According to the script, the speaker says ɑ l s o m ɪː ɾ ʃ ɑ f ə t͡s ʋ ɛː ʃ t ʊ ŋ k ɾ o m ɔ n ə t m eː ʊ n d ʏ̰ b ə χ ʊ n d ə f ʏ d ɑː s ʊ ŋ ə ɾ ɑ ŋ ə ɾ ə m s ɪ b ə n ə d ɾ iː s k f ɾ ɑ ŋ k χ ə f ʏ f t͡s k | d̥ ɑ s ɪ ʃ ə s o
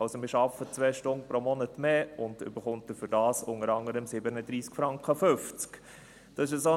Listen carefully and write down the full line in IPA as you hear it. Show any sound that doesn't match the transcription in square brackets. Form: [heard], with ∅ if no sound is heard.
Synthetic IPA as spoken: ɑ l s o m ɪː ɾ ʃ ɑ f ə t͡s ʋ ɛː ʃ t ʊ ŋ [p] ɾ o m ɔ n ə t m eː ʊ n d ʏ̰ b ə χ ʊ n [t] ə f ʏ d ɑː s ʊ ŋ ə ɾ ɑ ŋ ə ɾ ə m s ɪ b ə n ə d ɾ iː s k f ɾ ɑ ŋ k χ ə f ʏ f t͡s k | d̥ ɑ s ɪ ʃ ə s o